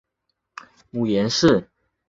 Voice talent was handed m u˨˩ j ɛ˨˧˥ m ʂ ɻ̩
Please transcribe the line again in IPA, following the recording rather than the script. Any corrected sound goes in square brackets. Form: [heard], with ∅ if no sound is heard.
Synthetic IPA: m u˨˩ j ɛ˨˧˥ [n] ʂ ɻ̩